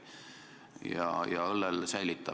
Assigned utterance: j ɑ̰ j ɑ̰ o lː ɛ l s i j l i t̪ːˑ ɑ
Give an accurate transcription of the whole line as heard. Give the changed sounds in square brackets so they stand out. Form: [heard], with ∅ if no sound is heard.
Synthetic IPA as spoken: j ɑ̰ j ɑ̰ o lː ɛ l s [æ] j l i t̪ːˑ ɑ